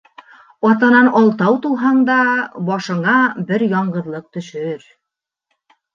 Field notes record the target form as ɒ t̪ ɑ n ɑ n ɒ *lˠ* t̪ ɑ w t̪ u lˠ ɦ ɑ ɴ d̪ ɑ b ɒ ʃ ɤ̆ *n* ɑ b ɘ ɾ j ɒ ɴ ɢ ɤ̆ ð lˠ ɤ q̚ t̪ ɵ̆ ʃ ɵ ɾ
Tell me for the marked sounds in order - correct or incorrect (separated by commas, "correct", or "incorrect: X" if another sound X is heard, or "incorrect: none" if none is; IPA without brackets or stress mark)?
correct, incorrect: ɴ